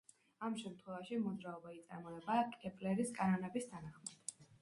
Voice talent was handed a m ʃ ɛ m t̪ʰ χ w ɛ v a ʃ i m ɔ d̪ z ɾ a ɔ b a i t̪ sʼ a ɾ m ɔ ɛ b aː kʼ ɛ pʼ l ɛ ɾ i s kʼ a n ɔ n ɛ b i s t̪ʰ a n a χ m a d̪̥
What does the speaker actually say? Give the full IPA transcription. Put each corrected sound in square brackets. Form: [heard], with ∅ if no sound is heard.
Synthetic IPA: a m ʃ ɛ m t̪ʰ χ w ɛ v a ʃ i m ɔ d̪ z ɾ a ɔ b a i t̪ sʼ a ɾ m ɔ ɛ b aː kʼ ɛ pʼ l ɛ ɾ i s kʼ a n ɔ n ɛ b i s t̪ʰ a n a χ m a d̪̥